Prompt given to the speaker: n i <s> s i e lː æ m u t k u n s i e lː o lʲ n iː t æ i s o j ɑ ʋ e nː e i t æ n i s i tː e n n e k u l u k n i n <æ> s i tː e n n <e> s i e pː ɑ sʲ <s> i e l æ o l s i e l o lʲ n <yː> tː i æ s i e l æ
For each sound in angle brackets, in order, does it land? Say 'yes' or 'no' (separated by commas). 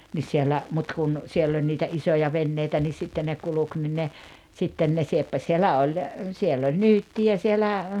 yes, no, yes, yes, yes